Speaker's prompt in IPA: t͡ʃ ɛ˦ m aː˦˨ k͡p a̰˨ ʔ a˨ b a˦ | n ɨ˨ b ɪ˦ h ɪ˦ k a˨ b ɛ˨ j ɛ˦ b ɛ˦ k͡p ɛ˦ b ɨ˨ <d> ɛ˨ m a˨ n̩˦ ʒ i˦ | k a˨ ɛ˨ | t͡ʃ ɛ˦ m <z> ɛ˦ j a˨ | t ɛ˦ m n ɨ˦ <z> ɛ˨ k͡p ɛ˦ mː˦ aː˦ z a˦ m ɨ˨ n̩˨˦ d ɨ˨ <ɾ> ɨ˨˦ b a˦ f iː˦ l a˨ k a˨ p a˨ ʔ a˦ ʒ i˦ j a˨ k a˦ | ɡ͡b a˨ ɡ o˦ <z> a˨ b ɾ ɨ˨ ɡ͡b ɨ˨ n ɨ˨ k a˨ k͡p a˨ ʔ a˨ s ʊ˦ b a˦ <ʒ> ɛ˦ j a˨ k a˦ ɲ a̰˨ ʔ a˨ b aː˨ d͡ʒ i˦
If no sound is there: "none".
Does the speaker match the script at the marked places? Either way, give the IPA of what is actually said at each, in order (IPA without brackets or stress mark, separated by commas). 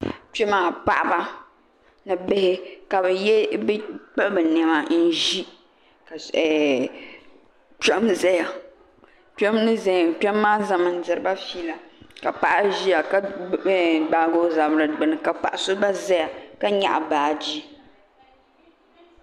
n, z, z, ɾ, z, z